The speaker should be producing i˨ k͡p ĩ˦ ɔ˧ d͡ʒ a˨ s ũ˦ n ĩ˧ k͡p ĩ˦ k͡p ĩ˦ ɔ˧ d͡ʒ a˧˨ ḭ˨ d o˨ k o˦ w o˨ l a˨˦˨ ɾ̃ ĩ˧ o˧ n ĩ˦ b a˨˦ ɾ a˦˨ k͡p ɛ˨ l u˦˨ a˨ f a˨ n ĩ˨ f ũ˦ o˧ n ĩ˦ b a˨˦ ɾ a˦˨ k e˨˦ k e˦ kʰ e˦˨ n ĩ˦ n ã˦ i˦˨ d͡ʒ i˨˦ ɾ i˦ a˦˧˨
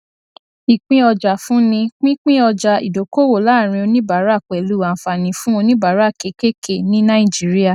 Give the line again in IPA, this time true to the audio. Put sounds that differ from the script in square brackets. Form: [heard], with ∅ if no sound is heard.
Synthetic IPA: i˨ k͡p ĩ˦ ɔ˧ d͡ʒ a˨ [f] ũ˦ n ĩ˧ k͡p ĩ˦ k͡p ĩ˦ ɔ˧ d͡ʒ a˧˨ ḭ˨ d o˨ k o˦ w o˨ l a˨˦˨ ɾ̃ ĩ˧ o˧ n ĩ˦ b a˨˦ ɾ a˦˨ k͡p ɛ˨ l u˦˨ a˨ f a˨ n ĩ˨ f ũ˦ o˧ n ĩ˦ b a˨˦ ɾ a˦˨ k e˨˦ k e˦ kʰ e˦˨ n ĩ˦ n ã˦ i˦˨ d͡ʒ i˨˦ ɾ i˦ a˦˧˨